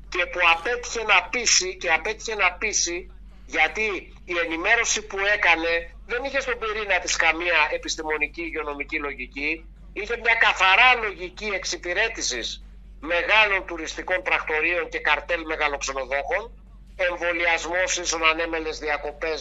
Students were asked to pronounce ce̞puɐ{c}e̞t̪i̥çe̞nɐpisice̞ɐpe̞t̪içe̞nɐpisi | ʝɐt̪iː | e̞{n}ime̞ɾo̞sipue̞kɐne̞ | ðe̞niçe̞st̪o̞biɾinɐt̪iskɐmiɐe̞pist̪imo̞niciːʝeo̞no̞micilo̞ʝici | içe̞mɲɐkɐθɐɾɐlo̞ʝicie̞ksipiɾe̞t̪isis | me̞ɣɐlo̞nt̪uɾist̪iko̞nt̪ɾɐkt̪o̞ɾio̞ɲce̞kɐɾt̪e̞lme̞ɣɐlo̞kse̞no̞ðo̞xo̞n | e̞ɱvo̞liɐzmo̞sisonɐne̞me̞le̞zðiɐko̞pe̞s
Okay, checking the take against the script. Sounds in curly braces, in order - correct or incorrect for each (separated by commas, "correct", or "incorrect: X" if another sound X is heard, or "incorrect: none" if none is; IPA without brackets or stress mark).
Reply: incorrect: p, correct